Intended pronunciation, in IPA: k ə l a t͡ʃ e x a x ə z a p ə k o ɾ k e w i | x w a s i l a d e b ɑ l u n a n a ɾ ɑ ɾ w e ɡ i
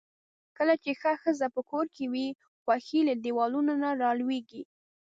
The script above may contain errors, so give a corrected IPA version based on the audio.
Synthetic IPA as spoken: k ə l a t͡ʃ e x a x ə z a p ə k o ɾ k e w i | x w a x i l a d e w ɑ l u n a n a ɾ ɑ l w e ɡ i